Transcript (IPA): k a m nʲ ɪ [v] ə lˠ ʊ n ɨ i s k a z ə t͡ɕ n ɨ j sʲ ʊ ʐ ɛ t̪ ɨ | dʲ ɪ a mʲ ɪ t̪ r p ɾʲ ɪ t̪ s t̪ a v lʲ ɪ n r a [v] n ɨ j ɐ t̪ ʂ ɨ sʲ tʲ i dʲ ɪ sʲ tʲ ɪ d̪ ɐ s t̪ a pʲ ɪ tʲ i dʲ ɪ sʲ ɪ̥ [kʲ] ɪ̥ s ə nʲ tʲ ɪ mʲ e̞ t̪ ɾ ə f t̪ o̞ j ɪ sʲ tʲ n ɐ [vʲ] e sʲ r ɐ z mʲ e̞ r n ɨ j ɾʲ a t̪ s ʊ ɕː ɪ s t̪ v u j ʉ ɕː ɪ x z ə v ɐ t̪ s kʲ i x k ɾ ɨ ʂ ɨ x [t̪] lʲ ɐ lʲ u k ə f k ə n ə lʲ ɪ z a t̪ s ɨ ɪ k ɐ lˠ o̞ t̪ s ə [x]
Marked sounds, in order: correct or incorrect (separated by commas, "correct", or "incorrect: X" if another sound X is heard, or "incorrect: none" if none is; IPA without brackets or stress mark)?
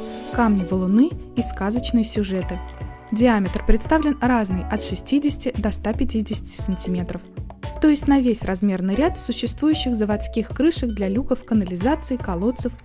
correct, incorrect: z, incorrect: tʲ, correct, incorrect: d̪, incorrect: f